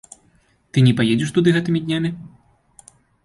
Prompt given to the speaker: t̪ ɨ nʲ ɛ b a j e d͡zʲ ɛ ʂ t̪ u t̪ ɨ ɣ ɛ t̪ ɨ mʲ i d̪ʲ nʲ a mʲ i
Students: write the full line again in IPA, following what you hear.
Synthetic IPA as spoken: t̪ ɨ nʲ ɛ p a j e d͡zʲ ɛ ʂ t̪ u d̪ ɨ ɣ ɛ t̪ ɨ mʲ i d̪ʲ nʲ a mʲ i